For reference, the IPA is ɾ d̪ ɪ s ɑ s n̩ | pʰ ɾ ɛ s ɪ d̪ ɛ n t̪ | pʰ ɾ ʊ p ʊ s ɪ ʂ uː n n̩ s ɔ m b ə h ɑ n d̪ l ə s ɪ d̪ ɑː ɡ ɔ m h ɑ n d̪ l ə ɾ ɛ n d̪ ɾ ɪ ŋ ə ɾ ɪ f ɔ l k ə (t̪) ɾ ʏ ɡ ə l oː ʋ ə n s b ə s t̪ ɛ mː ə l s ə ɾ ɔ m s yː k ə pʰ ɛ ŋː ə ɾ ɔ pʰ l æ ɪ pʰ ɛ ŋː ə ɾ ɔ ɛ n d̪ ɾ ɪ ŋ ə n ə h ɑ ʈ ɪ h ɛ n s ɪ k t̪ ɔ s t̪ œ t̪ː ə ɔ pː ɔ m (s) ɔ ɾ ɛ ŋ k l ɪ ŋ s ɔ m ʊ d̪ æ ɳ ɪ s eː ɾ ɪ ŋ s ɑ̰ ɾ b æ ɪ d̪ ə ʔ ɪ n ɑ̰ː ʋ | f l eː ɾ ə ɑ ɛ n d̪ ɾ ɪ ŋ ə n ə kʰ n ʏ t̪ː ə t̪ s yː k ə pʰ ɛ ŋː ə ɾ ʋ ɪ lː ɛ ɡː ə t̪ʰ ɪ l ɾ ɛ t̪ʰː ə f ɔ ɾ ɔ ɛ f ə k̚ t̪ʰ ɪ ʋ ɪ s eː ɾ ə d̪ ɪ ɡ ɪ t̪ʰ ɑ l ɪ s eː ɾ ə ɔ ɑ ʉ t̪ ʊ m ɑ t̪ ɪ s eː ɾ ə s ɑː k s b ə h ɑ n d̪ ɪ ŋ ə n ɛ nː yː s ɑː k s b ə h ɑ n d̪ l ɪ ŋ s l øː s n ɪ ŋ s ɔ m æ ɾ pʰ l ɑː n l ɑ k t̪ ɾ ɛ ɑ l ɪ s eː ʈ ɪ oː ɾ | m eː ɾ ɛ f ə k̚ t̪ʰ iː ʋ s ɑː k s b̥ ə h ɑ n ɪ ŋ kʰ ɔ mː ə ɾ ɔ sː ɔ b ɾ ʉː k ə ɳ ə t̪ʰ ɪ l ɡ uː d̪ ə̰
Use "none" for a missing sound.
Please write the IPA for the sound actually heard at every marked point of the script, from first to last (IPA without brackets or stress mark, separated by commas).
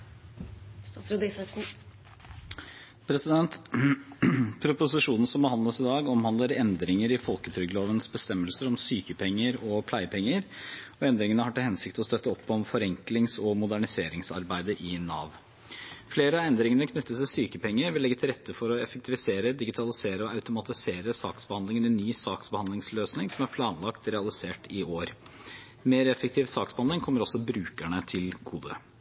t̪ʰ, f